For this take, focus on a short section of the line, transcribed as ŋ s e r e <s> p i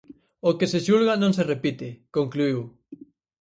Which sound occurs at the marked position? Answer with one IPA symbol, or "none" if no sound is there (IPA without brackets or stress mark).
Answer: none